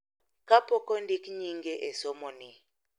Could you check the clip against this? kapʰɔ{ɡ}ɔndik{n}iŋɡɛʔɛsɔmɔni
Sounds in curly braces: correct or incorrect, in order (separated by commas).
incorrect, incorrect